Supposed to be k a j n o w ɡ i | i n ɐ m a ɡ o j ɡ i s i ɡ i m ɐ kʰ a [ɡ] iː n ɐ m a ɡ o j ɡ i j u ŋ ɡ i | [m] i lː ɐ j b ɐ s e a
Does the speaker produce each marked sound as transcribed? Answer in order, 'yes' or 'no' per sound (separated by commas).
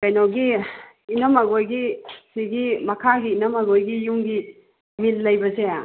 yes, yes